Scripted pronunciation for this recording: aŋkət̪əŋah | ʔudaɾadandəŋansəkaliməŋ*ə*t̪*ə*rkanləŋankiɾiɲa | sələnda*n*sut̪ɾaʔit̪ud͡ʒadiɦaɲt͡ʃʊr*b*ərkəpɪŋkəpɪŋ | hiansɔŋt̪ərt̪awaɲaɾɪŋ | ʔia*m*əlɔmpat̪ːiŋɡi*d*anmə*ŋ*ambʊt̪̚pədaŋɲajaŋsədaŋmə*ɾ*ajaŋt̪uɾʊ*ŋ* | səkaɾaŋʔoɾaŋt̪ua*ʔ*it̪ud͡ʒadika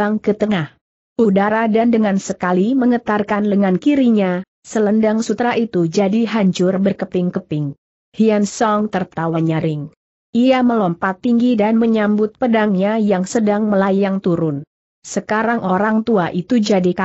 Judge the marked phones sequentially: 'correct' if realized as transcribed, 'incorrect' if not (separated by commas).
correct, incorrect, incorrect, correct, correct, correct, incorrect, incorrect, incorrect, correct